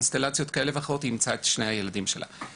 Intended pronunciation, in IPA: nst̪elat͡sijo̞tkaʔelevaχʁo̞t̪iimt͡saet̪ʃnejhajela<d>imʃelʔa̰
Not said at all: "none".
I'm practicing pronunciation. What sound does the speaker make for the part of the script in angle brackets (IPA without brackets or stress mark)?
d